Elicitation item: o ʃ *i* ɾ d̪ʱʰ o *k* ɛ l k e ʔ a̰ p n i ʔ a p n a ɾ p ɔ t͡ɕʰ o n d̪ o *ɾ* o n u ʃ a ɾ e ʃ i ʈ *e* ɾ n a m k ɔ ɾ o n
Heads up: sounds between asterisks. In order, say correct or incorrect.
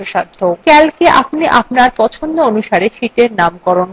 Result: incorrect, correct, incorrect, correct

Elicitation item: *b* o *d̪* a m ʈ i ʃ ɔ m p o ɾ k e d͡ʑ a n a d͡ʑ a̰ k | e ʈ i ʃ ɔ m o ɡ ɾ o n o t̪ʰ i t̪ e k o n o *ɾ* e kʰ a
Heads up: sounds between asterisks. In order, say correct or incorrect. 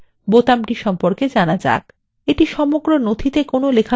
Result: correct, incorrect, incorrect

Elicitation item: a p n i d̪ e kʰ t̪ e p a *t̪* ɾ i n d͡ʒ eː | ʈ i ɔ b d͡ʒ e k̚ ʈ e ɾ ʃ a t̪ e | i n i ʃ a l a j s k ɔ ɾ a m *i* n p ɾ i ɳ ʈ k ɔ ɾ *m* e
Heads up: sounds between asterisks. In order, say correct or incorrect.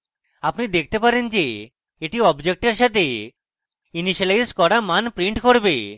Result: incorrect, incorrect, incorrect

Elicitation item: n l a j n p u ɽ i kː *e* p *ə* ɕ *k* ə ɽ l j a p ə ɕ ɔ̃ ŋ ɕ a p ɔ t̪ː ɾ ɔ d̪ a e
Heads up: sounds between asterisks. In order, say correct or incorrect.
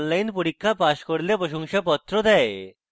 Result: incorrect, incorrect, correct

